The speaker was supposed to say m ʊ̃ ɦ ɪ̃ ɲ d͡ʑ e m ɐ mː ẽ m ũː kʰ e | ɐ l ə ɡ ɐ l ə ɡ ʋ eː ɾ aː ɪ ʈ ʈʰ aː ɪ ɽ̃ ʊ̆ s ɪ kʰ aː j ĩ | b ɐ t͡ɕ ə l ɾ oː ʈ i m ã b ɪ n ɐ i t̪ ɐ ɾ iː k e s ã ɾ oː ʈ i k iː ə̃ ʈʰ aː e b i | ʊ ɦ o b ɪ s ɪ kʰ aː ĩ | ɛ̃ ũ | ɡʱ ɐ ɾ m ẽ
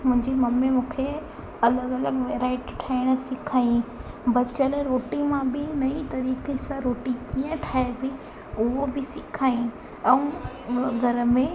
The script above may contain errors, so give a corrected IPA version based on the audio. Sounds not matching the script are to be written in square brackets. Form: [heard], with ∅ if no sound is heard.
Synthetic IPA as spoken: m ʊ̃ ɦ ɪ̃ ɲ d͡ʑ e m ɐ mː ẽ m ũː kʰ e | ɐ l ə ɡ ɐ l ə ɡ ʋ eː ɾ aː ɪ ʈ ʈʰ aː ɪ ɽ̃ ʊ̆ s ɪ kʰ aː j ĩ | b ɐ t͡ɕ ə l ɾ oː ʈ i m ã b ɪ n ɐ i t̪ ɐ ɾ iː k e s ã ɾ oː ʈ i k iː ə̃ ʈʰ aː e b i | ʊ ɦ o b ɪ s ɪ kʰ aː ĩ | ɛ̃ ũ | ɡʱ ɐ ɾ m ẽ